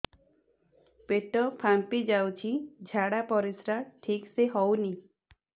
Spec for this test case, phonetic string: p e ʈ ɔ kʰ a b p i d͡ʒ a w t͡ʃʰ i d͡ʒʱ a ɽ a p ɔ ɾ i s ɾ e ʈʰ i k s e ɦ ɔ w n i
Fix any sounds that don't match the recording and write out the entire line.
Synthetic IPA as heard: p e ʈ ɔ pʰ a m p i d͡ʒ a w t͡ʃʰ i d͡ʒʱ a ɽ a p ɔ ɾ i s ɾ a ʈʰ i k s e ɦ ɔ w n i